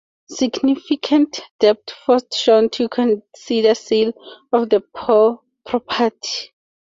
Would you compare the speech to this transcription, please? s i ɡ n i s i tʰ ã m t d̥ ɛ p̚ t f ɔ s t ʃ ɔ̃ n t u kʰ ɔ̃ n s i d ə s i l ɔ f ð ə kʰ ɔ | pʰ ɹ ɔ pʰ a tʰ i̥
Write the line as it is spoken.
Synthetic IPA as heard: s i ɡ n i f i kʰ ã n t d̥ ɛ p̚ t f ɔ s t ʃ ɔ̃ n tʰ u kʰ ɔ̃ n s i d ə s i l ɔ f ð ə pʰ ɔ | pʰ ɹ ɔ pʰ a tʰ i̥